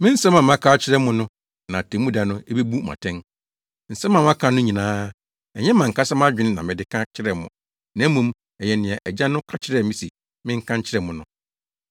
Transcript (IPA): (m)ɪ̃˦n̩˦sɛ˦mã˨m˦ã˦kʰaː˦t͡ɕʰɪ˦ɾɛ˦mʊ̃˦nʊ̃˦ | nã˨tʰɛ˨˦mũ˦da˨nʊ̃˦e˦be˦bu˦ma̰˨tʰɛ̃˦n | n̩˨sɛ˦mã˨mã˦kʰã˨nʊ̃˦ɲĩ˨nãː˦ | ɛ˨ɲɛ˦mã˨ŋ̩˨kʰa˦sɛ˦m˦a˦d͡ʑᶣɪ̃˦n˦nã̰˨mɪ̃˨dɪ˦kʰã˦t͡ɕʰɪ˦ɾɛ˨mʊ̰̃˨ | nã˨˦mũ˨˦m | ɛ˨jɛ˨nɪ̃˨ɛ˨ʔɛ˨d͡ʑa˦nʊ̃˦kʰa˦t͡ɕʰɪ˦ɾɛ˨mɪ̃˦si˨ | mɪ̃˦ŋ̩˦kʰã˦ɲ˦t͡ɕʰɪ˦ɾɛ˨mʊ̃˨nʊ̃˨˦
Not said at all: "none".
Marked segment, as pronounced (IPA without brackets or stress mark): m